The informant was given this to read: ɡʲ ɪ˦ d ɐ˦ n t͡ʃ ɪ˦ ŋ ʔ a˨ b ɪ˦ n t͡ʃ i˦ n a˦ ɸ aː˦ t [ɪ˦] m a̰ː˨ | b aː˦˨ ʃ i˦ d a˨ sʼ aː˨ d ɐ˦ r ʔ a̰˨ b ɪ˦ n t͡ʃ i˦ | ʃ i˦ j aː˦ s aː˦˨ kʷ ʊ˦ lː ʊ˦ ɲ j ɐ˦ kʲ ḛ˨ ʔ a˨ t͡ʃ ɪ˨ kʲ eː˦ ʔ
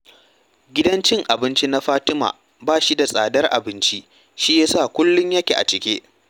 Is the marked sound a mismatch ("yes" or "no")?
no